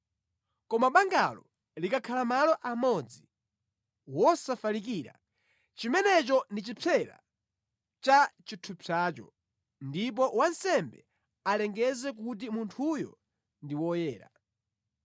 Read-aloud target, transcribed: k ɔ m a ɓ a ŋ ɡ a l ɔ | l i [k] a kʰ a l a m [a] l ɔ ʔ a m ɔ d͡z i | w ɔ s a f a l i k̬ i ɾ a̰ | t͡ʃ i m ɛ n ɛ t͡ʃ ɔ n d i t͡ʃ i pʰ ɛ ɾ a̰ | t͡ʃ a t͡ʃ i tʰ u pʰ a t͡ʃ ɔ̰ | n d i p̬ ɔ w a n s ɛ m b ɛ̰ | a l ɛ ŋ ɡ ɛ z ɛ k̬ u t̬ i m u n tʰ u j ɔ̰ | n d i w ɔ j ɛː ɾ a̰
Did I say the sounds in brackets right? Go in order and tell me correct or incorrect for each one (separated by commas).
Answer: correct, correct